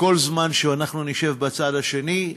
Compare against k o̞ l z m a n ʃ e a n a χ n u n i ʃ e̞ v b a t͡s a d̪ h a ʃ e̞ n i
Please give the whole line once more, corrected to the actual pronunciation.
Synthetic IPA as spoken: k o̞ l z m a n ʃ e a n a χ n u n i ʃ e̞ v b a t͡s a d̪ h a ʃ e̞ n i